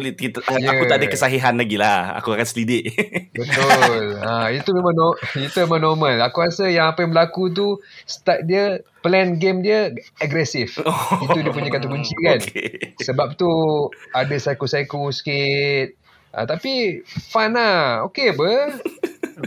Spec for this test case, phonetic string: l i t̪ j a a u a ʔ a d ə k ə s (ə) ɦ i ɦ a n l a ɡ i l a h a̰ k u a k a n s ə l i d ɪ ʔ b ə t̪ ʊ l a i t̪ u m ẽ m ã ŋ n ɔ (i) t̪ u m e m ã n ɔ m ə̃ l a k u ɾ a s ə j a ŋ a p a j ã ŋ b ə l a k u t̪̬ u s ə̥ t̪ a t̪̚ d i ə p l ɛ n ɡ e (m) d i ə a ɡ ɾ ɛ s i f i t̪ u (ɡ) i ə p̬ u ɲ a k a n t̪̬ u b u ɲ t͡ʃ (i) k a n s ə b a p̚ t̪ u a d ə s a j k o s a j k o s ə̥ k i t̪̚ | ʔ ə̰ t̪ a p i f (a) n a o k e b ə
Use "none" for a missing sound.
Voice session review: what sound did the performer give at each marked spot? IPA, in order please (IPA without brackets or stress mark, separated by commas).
a, i, m, d, i, a